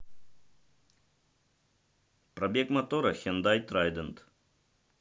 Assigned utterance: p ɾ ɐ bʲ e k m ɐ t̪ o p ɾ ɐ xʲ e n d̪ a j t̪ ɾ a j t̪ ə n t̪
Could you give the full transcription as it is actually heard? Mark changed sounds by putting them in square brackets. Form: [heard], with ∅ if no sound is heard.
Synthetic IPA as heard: p ɾ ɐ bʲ e k m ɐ t̪ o [∅] ɾ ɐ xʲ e n d̪ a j t̪ ɾ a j [d̪] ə n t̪